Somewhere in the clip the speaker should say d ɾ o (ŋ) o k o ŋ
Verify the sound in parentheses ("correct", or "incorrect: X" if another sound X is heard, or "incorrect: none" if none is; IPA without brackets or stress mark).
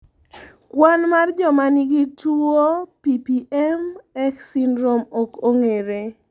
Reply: incorrect: m